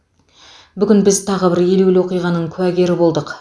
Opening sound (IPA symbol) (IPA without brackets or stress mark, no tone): b